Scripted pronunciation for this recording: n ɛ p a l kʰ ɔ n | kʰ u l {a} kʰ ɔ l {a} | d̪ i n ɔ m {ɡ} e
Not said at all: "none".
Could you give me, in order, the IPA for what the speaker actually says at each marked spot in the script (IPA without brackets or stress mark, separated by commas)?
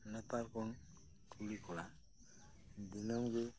i, a, ɡ